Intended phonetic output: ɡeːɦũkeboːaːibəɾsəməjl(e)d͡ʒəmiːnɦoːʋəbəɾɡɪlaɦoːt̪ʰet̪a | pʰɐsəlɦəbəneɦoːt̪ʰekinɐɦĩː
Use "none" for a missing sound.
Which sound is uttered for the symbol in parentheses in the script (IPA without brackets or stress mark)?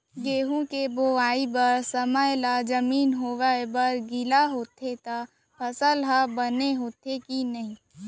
a